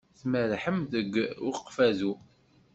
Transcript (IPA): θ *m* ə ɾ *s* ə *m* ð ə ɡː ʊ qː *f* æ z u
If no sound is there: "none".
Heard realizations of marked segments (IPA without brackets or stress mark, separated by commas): m, ħ, m, f